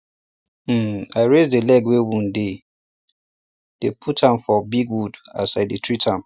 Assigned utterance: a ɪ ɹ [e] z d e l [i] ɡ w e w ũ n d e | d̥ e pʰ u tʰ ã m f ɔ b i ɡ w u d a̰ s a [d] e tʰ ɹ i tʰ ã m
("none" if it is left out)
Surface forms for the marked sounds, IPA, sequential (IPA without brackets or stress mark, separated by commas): e, ɛ, d